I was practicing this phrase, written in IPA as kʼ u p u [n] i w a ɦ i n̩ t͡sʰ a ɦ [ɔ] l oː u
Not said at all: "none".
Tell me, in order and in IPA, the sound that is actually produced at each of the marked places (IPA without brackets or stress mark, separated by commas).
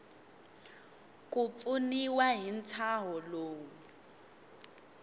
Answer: n, ɔ